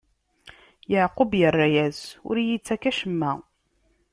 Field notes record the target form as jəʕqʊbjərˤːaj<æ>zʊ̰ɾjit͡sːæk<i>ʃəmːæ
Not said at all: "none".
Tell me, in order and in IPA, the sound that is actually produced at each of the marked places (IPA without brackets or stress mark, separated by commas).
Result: æ, æ